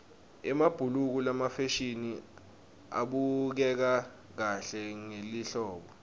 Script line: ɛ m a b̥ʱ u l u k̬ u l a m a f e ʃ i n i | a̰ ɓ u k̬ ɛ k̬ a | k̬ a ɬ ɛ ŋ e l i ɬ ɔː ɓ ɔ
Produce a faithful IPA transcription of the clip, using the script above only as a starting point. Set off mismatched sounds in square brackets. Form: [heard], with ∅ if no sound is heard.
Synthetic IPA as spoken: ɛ m a b̥ʱ u l u k̬ u l a m a f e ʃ i n i | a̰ ɓ u k̬ ɛ k̬ a | k̬ a ɬ ɛ ŋ e l i ɬ ɔː ɓ ɔ